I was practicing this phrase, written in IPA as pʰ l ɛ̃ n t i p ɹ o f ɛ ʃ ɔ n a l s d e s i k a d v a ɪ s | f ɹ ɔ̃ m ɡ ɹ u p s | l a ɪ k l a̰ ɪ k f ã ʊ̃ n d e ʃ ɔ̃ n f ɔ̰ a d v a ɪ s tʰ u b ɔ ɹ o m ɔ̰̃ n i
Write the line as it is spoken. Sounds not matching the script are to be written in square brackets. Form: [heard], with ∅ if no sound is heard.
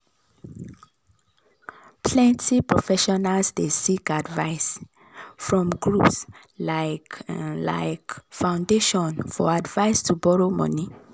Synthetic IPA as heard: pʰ l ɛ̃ n t i p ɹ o f ɛ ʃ ɔ n a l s d e s i k a d v a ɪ s | f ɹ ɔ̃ m ɡ ɹ u p s | l a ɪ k l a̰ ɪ k f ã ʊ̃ n d e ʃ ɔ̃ n f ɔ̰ a d v a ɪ s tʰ u b ɔ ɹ o m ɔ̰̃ n i